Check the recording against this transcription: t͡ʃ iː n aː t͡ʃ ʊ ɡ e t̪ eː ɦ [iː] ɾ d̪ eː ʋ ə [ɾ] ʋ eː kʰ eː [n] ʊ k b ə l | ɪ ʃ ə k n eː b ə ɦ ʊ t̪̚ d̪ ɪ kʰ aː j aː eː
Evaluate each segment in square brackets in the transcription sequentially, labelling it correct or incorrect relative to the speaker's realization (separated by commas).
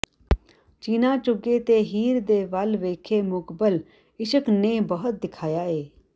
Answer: correct, incorrect, incorrect